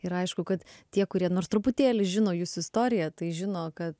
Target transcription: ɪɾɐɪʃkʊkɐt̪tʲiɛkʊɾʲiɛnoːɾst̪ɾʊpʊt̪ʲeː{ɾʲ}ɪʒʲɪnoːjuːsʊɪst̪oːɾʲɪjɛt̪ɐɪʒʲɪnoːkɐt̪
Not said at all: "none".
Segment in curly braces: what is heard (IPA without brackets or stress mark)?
lʲ